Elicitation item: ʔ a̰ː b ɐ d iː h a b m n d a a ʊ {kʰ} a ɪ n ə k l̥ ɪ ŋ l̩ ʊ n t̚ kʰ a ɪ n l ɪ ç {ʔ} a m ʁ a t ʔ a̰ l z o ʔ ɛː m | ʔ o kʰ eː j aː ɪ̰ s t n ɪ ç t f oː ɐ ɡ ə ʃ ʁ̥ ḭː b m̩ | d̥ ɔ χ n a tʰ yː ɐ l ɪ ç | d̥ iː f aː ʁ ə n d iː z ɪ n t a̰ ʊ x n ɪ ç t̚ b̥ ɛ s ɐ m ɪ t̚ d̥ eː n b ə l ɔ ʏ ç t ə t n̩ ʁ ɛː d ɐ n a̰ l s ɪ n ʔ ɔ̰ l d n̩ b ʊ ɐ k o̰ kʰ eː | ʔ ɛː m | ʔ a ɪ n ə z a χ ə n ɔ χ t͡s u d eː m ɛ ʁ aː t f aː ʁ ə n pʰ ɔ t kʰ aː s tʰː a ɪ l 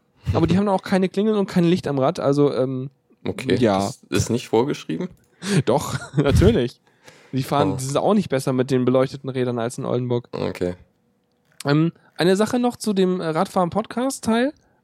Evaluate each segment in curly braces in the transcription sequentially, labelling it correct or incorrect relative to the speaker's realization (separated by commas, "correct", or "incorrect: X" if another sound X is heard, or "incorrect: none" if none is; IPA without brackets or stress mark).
correct, incorrect: t